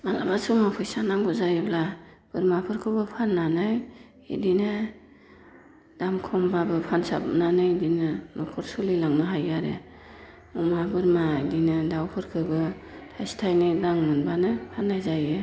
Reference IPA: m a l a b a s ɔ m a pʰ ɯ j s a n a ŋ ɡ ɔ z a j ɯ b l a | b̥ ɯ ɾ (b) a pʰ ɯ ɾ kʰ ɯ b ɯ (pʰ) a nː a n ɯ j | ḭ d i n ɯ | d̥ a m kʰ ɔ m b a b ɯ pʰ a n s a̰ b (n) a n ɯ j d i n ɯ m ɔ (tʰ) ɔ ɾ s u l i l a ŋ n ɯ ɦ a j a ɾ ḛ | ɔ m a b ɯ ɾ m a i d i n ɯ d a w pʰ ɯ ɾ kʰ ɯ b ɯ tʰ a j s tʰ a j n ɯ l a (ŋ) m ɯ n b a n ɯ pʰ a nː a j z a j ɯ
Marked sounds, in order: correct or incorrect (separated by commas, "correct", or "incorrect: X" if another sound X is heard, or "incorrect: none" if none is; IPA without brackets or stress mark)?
incorrect: m, correct, correct, incorrect: kʰ, correct